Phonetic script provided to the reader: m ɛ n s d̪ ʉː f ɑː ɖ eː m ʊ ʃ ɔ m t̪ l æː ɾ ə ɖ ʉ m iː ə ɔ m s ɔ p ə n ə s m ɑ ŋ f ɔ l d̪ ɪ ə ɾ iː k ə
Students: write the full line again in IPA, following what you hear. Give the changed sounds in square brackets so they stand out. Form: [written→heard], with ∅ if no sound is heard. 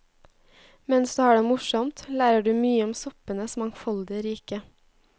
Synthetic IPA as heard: m ɛ n s d̪ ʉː [f→h] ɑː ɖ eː m ʊ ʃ ɔ m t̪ l æː ɾ ə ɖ [ʉ→ʉː] m [iː→yː] ə ɔ m s ɔ p ə n ə s m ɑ ŋ f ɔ l d̪ ɪ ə ɾ iː k ə

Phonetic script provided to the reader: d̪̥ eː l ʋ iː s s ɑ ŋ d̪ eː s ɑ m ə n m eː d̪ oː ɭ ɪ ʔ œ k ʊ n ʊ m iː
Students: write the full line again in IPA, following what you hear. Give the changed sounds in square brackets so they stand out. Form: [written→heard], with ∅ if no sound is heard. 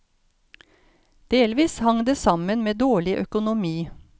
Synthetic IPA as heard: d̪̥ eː l ʋ iː s [s→h] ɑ ŋ d̪ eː s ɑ m ə n m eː d̪ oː ɭ ɪ ʔ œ k ʊ n ʊ m iː

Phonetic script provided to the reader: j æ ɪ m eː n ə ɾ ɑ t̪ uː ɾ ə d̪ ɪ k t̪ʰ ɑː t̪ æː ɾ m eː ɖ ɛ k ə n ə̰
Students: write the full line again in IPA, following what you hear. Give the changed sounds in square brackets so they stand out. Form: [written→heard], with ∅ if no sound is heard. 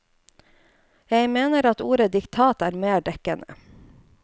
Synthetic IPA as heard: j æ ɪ m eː n ə ɾ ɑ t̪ uː ɾ ə d̪ ɪ k t̪ʰ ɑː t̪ æː ɾ m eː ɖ ɛ k ə n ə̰

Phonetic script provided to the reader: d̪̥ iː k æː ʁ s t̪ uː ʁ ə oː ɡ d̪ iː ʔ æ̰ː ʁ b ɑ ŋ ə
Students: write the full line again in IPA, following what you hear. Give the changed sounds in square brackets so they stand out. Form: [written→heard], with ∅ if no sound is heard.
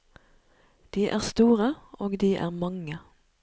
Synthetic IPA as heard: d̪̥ iː [k→ʔ] æː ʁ s t̪ uː ʁ ə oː ɡ d̪ iː ʔ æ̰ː ʁ [b→m] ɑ ŋ ə

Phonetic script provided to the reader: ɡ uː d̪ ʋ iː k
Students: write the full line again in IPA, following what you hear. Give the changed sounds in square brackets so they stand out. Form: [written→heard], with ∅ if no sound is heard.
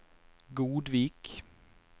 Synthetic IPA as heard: ɡ uː d̪ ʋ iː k

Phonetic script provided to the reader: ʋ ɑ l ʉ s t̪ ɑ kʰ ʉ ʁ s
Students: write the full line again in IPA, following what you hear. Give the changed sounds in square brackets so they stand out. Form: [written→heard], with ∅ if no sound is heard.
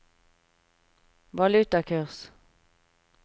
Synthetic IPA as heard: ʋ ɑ l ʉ [s→∅] t̪ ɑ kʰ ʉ ʁ s

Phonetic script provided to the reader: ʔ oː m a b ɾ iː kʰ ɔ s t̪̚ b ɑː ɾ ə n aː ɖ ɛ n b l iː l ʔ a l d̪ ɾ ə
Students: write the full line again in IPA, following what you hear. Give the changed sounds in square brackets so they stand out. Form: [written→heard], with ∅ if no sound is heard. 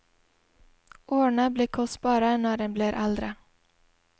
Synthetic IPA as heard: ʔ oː [m→ɳ] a b [ɾ→l] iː kʰ ɔ s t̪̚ b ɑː ɾ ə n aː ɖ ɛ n b l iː [l→ɾ] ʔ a l d̪ ɾ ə

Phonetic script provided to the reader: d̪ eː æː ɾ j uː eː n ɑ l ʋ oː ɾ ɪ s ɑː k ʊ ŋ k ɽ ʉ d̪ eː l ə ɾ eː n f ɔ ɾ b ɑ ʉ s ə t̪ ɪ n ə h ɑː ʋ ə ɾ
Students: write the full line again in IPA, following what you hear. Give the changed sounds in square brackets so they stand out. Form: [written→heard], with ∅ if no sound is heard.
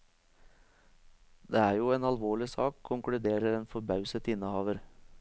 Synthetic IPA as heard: d̪ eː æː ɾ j uː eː n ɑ l ʋ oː [ɾ→ɭ] ɪ s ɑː [k→kʰ] ʊ ŋ k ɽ ʉ d̪ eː [l→ɾ] ə ɾ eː n f ɔ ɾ b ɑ ʉ s ə t̪ ɪ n ə h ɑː ʋ ə ɾ

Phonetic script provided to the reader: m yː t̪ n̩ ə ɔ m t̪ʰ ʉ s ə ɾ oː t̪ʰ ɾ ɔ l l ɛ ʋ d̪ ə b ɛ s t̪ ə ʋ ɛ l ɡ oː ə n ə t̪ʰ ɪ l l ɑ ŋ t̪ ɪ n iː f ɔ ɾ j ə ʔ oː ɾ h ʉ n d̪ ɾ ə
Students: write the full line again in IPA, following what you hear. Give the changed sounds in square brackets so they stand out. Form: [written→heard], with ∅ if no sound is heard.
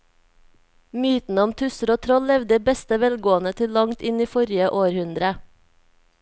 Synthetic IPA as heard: m yː t̪ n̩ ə ɔ m t̪ʰ ʉ s ə ɾ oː t̪ʰ ɾ ɔ l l ɛ ʋ d̪ ə b ɛ s t̪ ə ʋ ɛ l ɡ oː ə n ə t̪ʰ ɪ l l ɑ ŋ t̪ ɪ n iː f ɔ ɾ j ə ʔ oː ɾ h ʉ n d̪ ɾ ə

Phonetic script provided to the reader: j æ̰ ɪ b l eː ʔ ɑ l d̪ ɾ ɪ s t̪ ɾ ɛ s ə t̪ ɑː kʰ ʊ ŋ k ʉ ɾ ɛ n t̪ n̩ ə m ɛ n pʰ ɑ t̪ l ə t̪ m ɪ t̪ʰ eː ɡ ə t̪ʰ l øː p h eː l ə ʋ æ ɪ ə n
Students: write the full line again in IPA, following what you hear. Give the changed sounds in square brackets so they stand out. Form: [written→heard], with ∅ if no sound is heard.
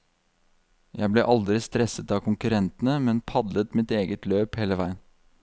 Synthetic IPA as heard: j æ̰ ɪ b l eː ʔ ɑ l d̪ ɾ ɪ s t̪ ɾ ɛ s ə t̪ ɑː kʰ ʊ ŋ k ʉ ɾ ɛ n t̪ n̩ ə m ɛ n pʰ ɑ [t̪→d̪] l ə t̪ m ɪ [t̪ʰ→t̪] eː ɡ ə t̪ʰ l øː p h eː l ə ʋ æ ɪ ə n

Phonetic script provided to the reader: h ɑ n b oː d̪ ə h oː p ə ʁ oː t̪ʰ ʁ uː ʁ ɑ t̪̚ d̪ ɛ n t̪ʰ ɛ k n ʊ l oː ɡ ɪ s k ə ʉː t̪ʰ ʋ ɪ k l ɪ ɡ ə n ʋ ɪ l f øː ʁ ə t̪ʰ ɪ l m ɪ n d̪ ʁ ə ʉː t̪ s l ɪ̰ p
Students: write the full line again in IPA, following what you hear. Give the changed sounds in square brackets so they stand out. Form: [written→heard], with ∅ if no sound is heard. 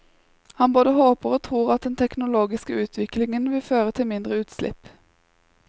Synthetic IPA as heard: h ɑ n b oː d̪ ə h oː p ə ʁ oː t̪ʰ ʁ uː ʁ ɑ t̪̚ d̪ ɛ n t̪ʰ ɛ k n ʊ l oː ɡ ɪ s k ə ʉː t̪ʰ ʋ ɪ k l ɪ [ɡ→ŋ] ə n ʋ ɪ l f øː ʁ ə t̪ʰ ɪ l m ɪ n d̪ ʁ ə ʉː t̪ s l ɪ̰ p

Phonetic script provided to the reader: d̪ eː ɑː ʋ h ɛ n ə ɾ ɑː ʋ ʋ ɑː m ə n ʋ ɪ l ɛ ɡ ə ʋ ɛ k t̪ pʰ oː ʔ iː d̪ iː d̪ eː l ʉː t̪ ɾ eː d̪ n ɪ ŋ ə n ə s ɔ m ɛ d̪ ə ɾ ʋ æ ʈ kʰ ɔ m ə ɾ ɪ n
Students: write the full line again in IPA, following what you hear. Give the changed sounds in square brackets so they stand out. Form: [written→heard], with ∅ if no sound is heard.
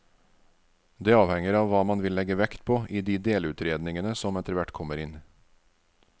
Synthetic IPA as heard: d̪ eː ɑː ʋ h ɛ [n→ŋ] ə ɾ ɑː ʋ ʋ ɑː m [ə→ɑ] n ʋ ɪ l ɛ ɡ ə ʋ ɛ k t̪ pʰ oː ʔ iː d̪ iː d̪ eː l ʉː t̪ ɾ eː d̪ n ɪ ŋ ə n ə s ɔ m ɛ [d̪→t̪] ə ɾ ʋ æ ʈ kʰ ɔ m ə ɾ ɪ n

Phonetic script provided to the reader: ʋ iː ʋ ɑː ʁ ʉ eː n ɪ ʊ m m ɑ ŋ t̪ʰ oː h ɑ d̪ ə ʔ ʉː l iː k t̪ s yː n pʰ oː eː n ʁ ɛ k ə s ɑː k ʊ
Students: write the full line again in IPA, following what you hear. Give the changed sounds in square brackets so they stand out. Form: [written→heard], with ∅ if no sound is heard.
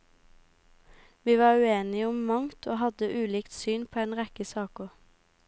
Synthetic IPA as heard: ʋ iː ʋ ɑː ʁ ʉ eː n ɪ ʊ m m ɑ ŋ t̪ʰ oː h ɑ d̪ ə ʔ ʉː l iː k t̪ s yː n pʰ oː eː n ʁ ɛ k ə s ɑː k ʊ

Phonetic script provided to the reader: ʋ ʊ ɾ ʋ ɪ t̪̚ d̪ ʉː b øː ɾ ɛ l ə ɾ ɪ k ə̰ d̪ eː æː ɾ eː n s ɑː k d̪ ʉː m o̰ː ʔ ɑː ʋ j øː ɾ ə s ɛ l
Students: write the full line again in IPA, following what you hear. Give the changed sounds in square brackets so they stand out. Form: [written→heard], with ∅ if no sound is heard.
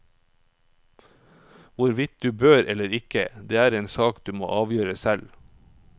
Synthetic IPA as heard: ʋ ʊ ɾ ʋ ɪ t̪̚ d̪ ʉː b øː ɾ ɛ l ə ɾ ɪ k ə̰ d̪ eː æː ɾ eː n s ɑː k d̪ ʉː m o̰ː ʔ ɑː ʋ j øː ɾ ə s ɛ l

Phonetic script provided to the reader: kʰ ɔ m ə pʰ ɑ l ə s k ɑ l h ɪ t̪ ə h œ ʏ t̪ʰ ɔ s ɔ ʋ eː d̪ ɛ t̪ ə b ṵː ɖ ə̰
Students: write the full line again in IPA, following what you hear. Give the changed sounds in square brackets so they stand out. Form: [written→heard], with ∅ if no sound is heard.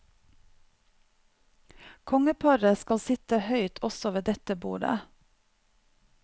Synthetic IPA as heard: kʰ ɔ [m→ŋ] ə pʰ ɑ [l→ɾ] ə s k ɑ l [h→s] ɪ t̪ ə h œ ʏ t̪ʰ ɔ s ɔ ʋ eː d̪ ɛ t̪ ə b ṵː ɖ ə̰

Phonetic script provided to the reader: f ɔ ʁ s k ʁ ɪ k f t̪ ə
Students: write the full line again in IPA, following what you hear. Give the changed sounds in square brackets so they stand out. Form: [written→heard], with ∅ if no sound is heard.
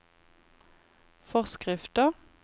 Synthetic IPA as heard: f ɔ ʁ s k ʁ ɪ [k→∅] f t̪ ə

